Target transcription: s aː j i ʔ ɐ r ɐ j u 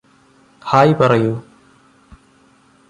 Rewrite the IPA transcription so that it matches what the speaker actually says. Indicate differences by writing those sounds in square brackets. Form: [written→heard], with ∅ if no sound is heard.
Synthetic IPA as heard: [s→h] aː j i [ʔ→p] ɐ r ɐ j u